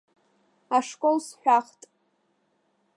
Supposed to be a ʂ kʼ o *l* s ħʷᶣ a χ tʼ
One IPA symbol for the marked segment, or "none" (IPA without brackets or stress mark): l